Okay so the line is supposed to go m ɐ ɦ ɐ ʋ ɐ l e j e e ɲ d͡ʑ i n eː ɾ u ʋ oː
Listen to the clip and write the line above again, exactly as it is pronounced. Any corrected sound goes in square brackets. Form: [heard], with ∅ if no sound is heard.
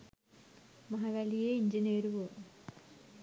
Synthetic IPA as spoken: m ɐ ɦ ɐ ʋ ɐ l [i] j e [i] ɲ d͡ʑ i n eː ɾ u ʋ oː